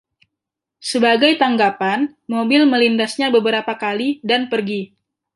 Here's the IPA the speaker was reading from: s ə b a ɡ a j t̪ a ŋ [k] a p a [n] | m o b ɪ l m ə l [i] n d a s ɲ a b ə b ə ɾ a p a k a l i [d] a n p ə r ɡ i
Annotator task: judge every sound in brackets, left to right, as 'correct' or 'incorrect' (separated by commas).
incorrect, correct, correct, correct